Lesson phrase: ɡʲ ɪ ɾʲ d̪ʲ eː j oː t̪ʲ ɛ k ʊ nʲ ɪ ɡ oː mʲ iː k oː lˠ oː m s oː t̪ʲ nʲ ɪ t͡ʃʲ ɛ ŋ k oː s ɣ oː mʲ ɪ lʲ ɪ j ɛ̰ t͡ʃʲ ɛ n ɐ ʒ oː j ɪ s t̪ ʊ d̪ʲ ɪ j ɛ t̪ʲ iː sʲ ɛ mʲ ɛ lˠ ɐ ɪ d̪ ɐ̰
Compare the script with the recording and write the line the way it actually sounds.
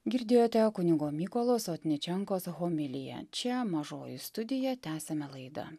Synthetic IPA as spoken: ɡʲ ɪ ɾʲ d̪ʲ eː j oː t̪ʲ ɛ k ʊ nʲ ɪ ɡ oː mʲ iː k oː lˠ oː s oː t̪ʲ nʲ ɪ t͡ʃʲ ɛ ŋ k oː s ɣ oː mʲ ɪ lʲ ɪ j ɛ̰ t͡ʃʲ ɛ m ɐ ʒ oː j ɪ s t̪ ʊ d̪ʲ ɪ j ɛ t̪ʲ æː sʲ ɛ mʲ ɛ lˠ ɐ ɪ d̪ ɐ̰